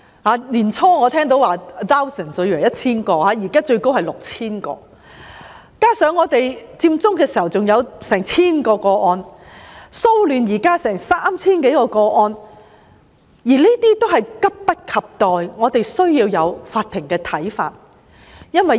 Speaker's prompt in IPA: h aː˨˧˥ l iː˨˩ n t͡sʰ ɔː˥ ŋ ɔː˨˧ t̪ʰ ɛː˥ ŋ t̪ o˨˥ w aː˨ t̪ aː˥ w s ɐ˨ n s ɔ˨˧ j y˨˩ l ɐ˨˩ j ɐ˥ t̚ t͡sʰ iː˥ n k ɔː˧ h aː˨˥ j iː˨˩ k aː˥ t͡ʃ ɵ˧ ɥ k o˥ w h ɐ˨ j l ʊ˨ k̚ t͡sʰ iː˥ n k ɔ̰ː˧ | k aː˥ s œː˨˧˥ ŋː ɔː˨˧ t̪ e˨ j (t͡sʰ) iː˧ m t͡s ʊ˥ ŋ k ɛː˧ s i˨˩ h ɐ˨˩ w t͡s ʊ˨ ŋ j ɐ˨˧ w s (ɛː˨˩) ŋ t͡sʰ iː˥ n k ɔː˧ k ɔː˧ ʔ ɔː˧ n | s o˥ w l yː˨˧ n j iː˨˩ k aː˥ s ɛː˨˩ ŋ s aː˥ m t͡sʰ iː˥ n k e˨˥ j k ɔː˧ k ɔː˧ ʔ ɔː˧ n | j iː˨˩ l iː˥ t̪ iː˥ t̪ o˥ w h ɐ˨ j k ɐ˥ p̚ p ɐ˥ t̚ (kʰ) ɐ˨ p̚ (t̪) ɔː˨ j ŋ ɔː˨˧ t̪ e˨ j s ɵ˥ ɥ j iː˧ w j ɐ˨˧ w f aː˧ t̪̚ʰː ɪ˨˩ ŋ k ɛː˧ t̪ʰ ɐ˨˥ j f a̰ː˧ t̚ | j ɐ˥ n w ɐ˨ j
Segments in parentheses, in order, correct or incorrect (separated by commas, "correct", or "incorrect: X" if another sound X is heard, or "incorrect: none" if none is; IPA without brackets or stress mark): incorrect: t͡s, correct, correct, correct